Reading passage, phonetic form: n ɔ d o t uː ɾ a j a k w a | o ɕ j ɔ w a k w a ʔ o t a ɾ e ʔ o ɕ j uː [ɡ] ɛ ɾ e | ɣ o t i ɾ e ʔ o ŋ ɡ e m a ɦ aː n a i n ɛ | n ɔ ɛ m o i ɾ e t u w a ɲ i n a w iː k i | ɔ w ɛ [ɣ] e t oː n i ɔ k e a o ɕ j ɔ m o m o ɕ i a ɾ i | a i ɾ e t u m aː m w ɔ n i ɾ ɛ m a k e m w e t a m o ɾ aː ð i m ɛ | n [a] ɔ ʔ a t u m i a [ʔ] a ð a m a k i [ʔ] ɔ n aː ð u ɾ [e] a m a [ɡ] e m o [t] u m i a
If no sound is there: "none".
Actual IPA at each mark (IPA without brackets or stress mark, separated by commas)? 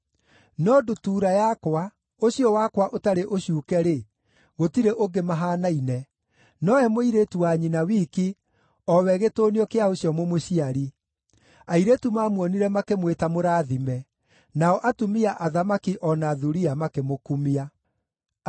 k, ɣ, a, ʔ, ʔ, i, k, k